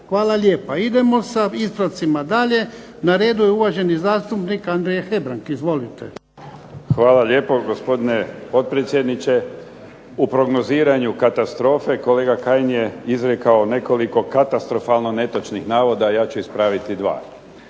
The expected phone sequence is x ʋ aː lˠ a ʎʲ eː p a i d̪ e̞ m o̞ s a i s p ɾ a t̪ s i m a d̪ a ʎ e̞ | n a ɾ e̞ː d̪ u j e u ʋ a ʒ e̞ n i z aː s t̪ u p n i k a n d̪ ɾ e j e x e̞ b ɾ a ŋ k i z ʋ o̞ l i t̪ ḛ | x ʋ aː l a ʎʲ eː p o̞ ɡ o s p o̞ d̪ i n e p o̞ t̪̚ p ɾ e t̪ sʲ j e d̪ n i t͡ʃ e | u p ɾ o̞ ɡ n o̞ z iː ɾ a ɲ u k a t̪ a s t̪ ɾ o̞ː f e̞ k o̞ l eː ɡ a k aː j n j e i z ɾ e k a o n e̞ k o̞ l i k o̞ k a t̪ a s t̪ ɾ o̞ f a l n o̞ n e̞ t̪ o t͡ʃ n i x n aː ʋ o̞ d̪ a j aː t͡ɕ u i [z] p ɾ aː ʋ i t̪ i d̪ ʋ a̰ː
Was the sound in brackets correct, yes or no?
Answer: no